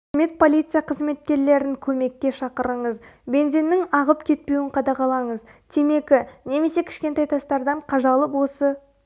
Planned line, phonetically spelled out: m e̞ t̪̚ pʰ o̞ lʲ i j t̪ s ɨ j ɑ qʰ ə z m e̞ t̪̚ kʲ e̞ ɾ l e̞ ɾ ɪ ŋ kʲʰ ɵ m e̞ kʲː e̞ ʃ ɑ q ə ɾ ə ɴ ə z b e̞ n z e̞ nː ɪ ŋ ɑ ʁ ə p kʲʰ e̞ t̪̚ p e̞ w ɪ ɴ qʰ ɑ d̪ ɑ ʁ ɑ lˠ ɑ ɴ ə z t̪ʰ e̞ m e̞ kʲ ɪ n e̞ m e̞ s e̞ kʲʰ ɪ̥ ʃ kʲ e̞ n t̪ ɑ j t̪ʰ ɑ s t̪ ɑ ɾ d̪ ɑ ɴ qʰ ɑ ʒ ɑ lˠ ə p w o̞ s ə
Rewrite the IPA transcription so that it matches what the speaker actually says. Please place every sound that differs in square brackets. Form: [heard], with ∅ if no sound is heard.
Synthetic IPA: m e̞ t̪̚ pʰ o̞ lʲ i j t̪ s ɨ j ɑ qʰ ə z m e̞ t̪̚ kʲ e̞ ɾ l e̞ ɾ ɪ ŋ kʲʰ ɵ m e̞ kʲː e̞ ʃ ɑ q ə ɾ ə ɴ ə z b e̞ n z e̞ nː ɪ ŋ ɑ ʁ ə p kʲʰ e̞ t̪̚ p e̞ w ɪ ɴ qʰ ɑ d̪ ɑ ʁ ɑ lˠ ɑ ɴ ə z t̪ʰ e̞ m e̞ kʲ ɪ n e̞ m e̞ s e̞ kʲʰ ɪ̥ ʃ kʲ e̞ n t̪ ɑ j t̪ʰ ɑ s t̪ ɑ ɾ d̪ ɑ ɴ qʰ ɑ ʒ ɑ lˠ ə p w o̞ s ə